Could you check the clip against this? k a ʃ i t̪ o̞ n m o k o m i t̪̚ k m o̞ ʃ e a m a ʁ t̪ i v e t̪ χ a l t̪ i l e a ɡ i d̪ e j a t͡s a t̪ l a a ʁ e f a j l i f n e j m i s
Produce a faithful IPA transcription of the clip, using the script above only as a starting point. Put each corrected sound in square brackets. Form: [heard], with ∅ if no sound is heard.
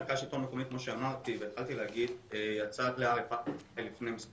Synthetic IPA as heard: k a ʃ i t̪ o̞ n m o k o m i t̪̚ k m o̞ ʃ e a m a ʁ t̪ i v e t̪ χ a l t̪ i l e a ɡ i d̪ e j a t͡s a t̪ l [e] a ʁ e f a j l i f n e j m i s